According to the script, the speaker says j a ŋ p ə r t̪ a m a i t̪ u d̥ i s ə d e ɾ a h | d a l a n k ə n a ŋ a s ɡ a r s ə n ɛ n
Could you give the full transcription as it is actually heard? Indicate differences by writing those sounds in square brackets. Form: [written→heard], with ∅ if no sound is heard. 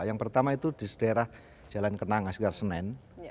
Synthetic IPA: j a ŋ p ə r t̪ a m a i t̪ u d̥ i s ə d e ɾ a h | [d→d͡ʒ] a l a n k ə n a ŋ a s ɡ a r s ə n ɛ n

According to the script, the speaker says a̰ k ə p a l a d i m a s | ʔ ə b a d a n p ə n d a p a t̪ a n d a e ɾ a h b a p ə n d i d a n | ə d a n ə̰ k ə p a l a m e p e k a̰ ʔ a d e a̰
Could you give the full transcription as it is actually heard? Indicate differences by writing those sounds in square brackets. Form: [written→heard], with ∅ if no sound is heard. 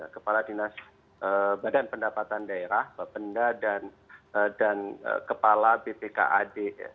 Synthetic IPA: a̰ k ə p a l a d i [m→n] a s | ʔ ə b a d a n p ə n d a p a t̪ a n d a e ɾ a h b a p ə n d [i→a] d a n | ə d a n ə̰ k ə p a l a [m→b] e p e k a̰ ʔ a d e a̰

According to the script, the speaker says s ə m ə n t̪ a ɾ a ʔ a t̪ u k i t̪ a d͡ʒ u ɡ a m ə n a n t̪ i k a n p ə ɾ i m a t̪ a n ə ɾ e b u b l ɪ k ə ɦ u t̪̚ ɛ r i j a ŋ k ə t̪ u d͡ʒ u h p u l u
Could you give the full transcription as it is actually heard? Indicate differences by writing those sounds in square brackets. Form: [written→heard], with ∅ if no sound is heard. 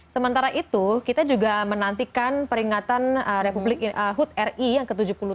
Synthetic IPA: s ə m ə n t̪ a ɾ a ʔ [a→i] t̪ u k i t̪ a d͡ʒ u ɡ a m ə n a n t̪ i k a n p ə ɾ i [m→ŋ] a t̪ a n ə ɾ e [b→p] u b l ɪ k ə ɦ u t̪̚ ɛ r i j a ŋ k ə t̪ u d͡ʒ u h p u l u

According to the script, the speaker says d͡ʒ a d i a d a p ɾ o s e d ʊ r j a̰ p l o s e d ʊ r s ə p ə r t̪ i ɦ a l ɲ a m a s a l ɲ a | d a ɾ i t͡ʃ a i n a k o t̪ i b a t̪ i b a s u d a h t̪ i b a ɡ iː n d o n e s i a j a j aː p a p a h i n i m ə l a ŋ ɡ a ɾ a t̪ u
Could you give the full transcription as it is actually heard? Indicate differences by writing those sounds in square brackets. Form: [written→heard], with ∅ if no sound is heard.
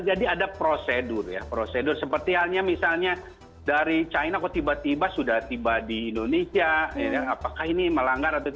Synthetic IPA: d͡ʒ a d i a d a p ɾ o s e d ʊ r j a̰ p [l→ɾ] o s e d ʊ r s ə p ə r t̪ i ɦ a l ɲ a m [a→i] s a l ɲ a | d a ɾ i t͡ʃ a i n a k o t̪ i b a t̪ i b a s u d a h t̪ i b a [ɡ→d] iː n d o n e s i a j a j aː p a [p→k] a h i n i m ə l a ŋ ɡ a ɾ a t̪ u

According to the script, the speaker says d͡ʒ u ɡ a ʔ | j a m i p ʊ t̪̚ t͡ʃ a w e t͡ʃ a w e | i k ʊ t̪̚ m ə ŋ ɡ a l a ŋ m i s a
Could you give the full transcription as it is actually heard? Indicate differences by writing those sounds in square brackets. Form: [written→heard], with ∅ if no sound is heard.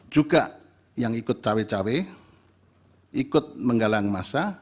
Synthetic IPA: d͡ʒ u ɡ a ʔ | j a [m→ŋ] i [p→k] ʊ t̪̚ t͡ʃ a w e t͡ʃ a w e | i k ʊ t̪̚ m ə ŋ ɡ a l a ŋ m [i→a] s a

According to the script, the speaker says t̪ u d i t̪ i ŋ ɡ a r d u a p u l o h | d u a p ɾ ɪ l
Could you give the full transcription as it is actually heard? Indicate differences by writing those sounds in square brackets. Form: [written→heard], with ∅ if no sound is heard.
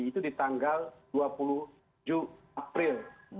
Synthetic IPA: t̪ u d i t̪ [i→a] ŋ ɡ a [r→l] d u a p u l [o→u] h | [d→d͡ʒ] u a p ɾ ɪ l

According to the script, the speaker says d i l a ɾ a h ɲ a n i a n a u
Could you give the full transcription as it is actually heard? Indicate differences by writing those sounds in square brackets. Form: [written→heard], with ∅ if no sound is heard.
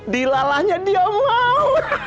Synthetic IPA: d i l a [ɾ→l] a h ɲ a [n→d] i a [n→m] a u

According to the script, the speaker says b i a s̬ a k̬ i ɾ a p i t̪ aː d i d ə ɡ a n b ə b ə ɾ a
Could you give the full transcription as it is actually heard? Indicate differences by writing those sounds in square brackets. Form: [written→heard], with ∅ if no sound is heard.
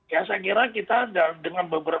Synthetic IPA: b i a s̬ a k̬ i ɾ a [p→k] i t̪ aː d [i→a] d ə [ɡ→ŋ] a n b ə b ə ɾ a

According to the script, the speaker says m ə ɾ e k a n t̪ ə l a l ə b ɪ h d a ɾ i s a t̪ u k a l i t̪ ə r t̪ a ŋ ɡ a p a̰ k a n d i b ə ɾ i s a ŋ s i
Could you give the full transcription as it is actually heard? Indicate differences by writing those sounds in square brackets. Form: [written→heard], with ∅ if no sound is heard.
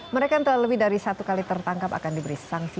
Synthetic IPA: m ə ɾ e k a n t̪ ə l a l ə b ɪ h d a ɾ i s a t̪ u k a l i t̪ ə r t̪ a ŋ [ɡ→k] a p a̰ k a n d i b ə ɾ i s a ŋ s i

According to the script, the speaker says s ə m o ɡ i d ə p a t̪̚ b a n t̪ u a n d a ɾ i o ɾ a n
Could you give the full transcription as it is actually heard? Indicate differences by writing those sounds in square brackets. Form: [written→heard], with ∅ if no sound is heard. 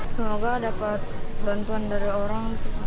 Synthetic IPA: s ə m o ɡ [i→a] d [ə→a] p a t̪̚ b a n t̪ u a n d a ɾ i o ɾ a [n→ŋ]

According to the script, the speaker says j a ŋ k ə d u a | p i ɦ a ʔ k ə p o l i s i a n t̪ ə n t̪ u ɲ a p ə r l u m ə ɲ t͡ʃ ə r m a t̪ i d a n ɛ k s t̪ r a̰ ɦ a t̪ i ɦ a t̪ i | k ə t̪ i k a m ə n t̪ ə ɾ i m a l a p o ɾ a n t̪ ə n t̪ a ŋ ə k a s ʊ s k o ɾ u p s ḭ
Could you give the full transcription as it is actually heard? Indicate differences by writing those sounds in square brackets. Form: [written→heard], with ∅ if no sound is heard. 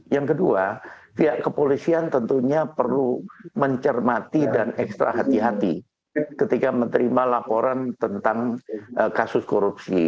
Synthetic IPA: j a ŋ k ə d u a | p i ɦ a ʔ k ə p o l i s i a n t̪ ə n t̪ u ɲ a p ə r l u m ə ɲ t͡ʃ ə r m a t̪ i d a n ɛ k s t̪ [r→ɾ] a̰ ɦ a t̪ i ɦ a t̪ i | k ə t̪ i k a m ə n t̪ ə ɾ i m a l a p o ɾ a n t̪ ə n t̪ a ŋ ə k a s ʊ s k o ɾ u p s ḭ

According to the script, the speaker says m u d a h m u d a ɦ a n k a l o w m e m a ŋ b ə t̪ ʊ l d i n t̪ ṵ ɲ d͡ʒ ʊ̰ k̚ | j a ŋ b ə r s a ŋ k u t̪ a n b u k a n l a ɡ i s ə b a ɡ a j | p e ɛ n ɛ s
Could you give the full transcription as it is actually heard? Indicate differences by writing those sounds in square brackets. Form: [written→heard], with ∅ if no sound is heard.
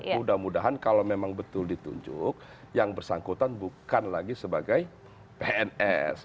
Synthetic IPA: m u d a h m u d a ɦ a n k a l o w m e m a ŋ b ə t̪ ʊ l d i [n→∅] t̪ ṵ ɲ d͡ʒ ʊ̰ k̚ | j a ŋ b ə r s a ŋ k u t̪ a n b u k a n l a ɡ i s ə b a ɡ a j | p e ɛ n ɛ s

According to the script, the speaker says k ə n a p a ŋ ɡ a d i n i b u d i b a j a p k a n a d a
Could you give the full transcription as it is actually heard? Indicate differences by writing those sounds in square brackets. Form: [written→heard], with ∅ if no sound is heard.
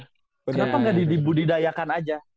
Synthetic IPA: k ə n a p a ŋ ɡ a d i [n→d] i b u d i [b→d] a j a [p→∅] k a n a [d→d͡ʒ] a

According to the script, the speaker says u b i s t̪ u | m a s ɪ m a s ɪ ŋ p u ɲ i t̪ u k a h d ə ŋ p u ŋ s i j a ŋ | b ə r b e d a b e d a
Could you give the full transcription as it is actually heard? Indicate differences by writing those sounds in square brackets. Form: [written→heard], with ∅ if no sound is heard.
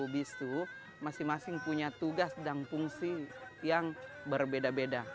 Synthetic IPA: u b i s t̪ u | m a s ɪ m a s ɪ ŋ p u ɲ [i→a] t̪ u [k→ɡ] a [h→s] d [ə→a] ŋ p u ŋ s i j a ŋ | b ə r b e d a b e d a

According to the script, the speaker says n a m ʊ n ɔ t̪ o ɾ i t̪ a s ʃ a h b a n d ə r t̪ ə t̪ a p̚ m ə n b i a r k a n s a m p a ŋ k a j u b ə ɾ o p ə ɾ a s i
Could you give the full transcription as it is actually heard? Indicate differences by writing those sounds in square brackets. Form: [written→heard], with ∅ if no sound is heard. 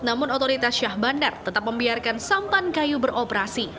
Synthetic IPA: n a m ʊ n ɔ t̪ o ɾ i t̪ a s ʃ a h b a n d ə r t̪ ə t̪ a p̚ m ə [n→m] b i a r k a n s a m p a [ŋ→n] k a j u b ə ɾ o p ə ɾ a s i

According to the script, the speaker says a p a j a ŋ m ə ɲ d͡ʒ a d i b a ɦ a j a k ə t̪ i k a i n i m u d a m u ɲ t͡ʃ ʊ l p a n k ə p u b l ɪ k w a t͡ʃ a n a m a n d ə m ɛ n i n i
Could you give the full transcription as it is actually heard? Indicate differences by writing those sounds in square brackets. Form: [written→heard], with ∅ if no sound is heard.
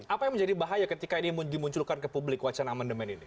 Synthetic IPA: a p a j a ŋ m ə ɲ d͡ʒ a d i b a ɦ a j a k ə t̪ i k a i n i m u d [a→i] m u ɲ t͡ʃ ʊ l [p→k] a n k ə p u b l ɪ k w a t͡ʃ a n a m a n d ə m ɛ n i n i

